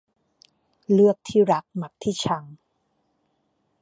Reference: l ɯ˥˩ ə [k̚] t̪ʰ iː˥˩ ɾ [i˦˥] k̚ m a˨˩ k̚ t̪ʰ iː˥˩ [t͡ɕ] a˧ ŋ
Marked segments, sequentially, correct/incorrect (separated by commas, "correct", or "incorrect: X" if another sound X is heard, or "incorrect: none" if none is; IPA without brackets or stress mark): correct, incorrect: a˦˥, incorrect: t͡ɕʰ